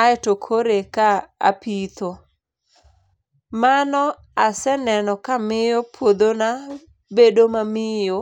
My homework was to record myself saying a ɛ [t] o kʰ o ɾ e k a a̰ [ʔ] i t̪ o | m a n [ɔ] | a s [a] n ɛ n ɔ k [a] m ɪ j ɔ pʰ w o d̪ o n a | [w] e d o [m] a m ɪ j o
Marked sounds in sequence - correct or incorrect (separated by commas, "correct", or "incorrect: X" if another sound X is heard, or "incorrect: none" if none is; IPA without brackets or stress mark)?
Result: correct, incorrect: p, correct, incorrect: ɛ, correct, incorrect: b, correct